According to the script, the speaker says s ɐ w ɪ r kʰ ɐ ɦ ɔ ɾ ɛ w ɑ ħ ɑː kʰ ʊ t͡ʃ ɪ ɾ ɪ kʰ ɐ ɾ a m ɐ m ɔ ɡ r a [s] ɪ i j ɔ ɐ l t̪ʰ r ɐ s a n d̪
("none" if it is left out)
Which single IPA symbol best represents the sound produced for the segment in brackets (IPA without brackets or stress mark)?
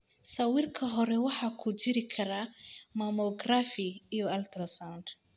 f